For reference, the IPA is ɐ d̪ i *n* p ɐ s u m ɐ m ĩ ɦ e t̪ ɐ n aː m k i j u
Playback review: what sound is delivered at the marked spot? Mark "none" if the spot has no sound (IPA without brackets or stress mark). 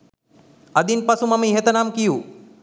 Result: n